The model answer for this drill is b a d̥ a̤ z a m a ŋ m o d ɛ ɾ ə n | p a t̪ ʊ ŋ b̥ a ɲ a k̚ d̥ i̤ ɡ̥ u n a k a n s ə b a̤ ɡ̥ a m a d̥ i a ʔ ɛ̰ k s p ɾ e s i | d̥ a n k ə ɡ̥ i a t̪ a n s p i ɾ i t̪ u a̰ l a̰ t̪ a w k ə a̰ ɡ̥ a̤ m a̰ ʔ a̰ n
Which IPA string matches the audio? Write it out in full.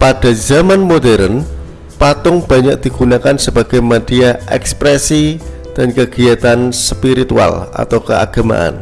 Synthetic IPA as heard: p a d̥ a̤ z a m a n m o d ɛ ɾ ə n | p a t̪ ʊ ŋ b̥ a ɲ a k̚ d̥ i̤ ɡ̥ u n a k a n s ə b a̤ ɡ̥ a m a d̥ i a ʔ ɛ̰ k s p ɾ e s i | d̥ a n k ə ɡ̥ i a t̪ a n s p i ɾ i t̪ u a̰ l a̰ t̪ a w k ə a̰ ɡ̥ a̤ m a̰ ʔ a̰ n